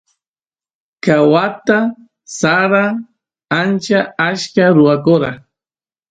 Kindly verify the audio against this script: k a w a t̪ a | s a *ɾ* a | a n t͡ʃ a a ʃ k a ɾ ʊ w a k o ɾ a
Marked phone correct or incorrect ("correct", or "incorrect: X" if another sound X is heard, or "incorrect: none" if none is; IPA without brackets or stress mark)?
correct